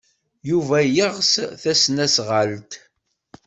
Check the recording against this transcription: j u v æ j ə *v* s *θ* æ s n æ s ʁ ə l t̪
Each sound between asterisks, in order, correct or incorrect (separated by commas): incorrect, correct